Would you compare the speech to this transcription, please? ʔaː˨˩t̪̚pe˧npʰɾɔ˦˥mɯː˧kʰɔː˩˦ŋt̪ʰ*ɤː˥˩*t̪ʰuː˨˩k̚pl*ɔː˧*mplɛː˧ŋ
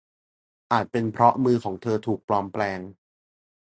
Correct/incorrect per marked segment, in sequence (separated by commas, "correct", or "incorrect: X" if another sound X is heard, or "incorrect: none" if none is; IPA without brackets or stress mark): incorrect: ɤː˧, correct